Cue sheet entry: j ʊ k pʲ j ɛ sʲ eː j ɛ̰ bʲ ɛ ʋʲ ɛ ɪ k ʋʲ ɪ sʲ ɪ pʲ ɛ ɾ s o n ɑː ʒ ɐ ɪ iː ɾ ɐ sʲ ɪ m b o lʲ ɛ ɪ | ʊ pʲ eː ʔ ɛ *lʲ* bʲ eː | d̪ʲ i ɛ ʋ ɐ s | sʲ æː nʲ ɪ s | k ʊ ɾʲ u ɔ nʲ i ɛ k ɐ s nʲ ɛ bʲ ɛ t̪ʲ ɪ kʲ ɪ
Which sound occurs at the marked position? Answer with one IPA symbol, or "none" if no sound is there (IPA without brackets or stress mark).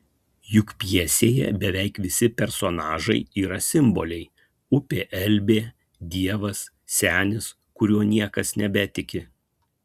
lʲ